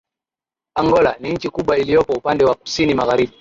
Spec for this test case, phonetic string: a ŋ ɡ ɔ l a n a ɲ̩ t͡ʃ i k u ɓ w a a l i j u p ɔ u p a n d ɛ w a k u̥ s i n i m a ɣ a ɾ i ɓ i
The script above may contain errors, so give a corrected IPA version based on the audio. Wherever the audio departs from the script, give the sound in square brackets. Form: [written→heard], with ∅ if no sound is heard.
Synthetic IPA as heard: a ŋ ɡ ɔ l a n [a→i] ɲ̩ t͡ʃ i k u ɓ w a [a→i] l i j [u→ɔ] p ɔ u p a n d ɛ w a k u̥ s i n i m a ɣ a ɾ i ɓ i